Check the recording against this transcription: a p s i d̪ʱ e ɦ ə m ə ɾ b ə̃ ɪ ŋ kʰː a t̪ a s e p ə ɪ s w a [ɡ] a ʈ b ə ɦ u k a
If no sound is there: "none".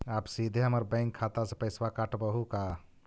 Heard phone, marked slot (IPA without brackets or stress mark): k